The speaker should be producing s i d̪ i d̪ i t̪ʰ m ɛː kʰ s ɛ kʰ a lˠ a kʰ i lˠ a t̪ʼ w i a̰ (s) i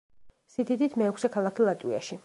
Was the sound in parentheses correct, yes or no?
no